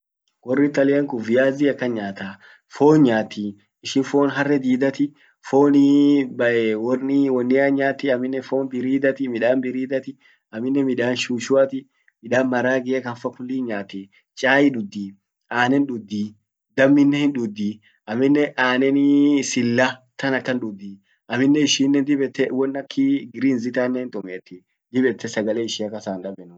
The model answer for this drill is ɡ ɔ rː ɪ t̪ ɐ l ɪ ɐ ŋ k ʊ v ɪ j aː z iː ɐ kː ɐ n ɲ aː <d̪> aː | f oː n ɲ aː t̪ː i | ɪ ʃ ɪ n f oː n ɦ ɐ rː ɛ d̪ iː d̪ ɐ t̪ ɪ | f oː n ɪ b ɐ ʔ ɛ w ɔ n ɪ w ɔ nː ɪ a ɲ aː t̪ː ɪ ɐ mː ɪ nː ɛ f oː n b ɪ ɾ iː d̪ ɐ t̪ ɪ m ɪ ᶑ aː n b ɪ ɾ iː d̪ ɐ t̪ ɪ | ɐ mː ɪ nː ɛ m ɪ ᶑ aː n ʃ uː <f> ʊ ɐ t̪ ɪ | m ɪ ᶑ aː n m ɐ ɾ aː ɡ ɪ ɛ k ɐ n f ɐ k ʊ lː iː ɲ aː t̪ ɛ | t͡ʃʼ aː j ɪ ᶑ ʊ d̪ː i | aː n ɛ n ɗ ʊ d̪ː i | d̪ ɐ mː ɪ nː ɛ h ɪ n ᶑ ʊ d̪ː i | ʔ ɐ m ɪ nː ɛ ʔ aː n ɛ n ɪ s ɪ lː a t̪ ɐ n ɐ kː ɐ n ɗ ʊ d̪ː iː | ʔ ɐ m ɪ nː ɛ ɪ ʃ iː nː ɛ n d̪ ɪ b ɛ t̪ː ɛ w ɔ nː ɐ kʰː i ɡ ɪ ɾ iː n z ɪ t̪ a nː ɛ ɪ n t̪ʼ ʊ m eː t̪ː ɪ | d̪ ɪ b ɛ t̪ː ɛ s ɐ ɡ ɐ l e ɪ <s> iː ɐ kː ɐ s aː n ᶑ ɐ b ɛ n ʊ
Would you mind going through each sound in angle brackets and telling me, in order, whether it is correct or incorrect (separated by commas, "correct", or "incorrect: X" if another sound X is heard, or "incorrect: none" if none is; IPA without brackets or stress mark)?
incorrect: t̪, incorrect: ʃ, incorrect: ʃ